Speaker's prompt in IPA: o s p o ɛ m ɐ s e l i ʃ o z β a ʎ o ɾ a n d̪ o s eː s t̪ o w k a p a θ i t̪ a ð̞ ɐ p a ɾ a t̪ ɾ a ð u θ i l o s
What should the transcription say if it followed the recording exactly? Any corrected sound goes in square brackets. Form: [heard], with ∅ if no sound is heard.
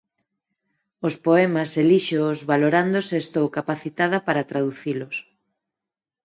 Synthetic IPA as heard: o s p o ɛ m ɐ s e l i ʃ o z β a [l] o ɾ a n d̪ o s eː s t̪ o w k a p a θ i t̪ a ð̞ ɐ p a ɾ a t̪ ɾ a ð u θ i l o s